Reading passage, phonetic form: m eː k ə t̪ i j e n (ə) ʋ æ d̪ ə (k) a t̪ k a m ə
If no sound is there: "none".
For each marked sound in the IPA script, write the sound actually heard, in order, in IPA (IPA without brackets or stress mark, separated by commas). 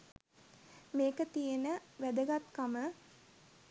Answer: ə, ɡ